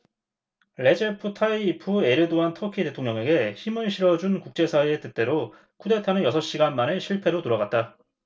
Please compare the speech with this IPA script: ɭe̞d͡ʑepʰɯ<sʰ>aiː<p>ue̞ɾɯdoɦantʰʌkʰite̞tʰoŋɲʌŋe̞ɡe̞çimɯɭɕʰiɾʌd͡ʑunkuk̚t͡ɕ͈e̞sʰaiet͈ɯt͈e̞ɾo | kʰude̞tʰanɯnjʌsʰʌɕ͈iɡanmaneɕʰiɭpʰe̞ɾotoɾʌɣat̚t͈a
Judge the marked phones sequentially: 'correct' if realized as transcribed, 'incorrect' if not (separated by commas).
incorrect, incorrect